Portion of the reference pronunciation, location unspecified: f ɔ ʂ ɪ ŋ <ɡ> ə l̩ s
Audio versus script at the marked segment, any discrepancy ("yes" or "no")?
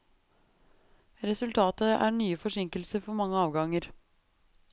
yes